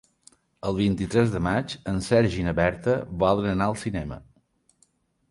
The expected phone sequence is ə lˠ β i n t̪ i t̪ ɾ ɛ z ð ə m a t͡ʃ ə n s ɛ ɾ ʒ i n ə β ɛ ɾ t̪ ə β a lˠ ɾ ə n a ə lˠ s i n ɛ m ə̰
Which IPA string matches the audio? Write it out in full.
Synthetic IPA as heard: ə lˠ β i n t̪ i t̪ ɾ ɛ z ð ə m a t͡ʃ ə n s ɛ ɾ ʒ i n ə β ɛ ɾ t̪ ə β a lˠ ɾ ə n a ə lˠ s i n ɛ m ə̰

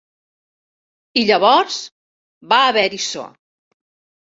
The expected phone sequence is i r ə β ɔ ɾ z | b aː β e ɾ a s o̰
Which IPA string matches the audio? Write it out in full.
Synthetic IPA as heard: i ʎ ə β ɔ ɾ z | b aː β ɛ ɾ i s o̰

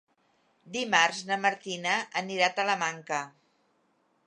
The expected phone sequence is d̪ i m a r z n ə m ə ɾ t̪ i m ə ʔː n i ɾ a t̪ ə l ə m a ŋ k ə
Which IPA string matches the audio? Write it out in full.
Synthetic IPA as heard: d̪ i m a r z n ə m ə ɾ t̪ i n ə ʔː n i ɾ a t̪ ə l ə m a ŋ k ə

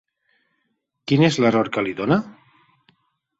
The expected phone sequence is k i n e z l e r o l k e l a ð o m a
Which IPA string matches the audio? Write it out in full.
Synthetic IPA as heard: k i n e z l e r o ɾ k a l i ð o n a

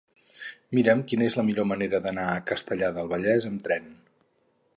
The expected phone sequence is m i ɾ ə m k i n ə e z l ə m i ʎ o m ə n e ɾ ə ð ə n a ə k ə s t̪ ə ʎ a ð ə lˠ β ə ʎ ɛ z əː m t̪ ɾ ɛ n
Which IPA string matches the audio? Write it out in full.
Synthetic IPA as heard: m i ɾ ə m k i n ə e z l ə m i ʎ o m ə n e ɾ ə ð ə n a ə k ə s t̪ ə ʎ a ð ə lˠ β ə ʎ ɛ z ə m t̪ ɾ ɛ n

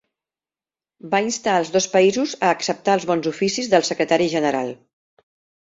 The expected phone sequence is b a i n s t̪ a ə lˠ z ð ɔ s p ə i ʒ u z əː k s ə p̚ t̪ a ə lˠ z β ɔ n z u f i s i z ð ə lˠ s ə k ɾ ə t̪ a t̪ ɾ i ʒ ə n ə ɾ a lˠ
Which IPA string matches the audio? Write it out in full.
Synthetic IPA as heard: b a i n s t̪ a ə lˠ z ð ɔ s p ə i z u z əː k s ə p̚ t̪ a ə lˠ z β ɔ n z u f i s i z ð ə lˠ s ə k ɾ ə t̪ a ɾ i ʒ ə n ə ɾ a lˠ

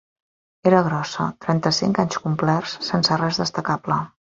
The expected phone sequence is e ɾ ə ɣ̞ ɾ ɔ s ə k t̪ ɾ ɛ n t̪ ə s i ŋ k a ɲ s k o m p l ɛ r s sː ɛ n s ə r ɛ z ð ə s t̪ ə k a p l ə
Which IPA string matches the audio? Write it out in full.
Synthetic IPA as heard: e ɾ ə ɣ̞ ɾ ɔ s ə t̪ ɾ ɛ n t̪ ə s i ŋ k a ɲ s k u m p l ɛ r s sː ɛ n s ə r ɛ z ð ə s t̪ ə k a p l ə

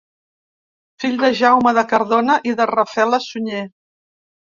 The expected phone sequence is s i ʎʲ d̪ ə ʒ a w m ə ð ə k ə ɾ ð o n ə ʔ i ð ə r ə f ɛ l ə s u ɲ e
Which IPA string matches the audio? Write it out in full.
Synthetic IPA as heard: f i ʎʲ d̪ ə ʒ a w m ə ð ə k ə ɾ ð o n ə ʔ i ð ə r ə f ɛ l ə s u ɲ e

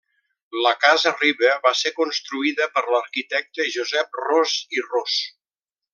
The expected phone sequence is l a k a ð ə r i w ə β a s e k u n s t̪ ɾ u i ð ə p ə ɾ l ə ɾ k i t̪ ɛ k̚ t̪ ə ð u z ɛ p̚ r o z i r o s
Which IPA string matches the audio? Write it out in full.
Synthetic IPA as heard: l ə k a z ə r i β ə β a s e k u n s t̪ ɾ u i ð ə p ə ɾ l ə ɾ k i t̪ ɛ k̚ t̪ ə ʒ u z ɛ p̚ r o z i r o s

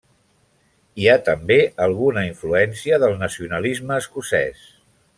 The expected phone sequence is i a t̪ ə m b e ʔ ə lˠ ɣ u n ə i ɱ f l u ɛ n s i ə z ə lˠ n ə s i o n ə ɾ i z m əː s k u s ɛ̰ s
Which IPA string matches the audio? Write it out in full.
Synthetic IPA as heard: i a t̪ ə m b e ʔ ə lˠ ɣ u n ə i ɱ f l u ɛ n s i ə ð ə lˠ n ə s i u n ə l i z m əː s k u s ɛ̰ s

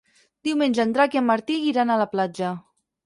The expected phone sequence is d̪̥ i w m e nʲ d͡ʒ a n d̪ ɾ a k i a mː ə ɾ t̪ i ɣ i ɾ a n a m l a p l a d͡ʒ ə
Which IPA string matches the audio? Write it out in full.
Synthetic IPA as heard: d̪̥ i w m e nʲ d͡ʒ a n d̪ ɾ a k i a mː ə ɾ t̪ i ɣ i ɾ a n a l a p l a d͡ʒ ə

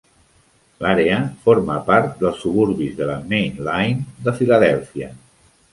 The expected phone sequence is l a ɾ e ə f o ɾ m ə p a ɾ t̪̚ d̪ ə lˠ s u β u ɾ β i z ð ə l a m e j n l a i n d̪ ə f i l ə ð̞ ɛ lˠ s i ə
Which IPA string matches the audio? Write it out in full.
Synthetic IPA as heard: l a ɾ e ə f o ɾ m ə p a ɾ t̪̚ d̪ ə lˠ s u β u ɾ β i z ð ə l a m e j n l a j n d̪ ə f i l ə ð̞ ɛ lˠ f i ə

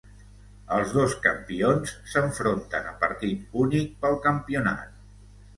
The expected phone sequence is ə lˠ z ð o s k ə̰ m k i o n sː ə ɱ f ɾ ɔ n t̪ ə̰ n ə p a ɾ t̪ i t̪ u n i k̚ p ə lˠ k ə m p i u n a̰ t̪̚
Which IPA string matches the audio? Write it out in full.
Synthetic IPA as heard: ə lˠ z ð o s k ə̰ m p i o n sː ə ɱ f ɾ o n t̪ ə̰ n ə p ə ɾ t̪ i t̪ u n i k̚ p ə lˠ k ə m p i u n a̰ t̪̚

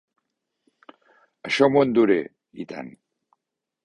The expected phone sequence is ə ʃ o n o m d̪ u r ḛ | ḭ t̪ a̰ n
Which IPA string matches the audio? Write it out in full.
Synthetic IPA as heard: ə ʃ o m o n d̪ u ɾ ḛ | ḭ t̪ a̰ n

